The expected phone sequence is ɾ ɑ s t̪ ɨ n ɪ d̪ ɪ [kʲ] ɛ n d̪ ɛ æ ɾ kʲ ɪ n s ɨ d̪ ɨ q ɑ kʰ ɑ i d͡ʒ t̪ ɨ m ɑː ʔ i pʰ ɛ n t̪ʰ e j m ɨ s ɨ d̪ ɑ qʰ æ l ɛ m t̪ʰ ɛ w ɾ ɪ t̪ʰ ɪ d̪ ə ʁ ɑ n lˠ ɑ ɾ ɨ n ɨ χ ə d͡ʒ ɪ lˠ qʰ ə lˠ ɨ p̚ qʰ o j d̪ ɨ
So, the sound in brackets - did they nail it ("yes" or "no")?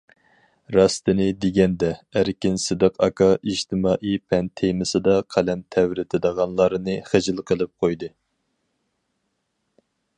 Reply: no